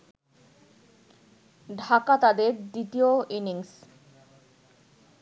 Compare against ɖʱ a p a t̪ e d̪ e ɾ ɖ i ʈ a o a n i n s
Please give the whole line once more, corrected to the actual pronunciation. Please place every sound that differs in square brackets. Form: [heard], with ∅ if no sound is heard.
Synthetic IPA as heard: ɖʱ a [k] a t̪ [a] d̪ e ɾ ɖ i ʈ [i] o [i] n i [ŋ] s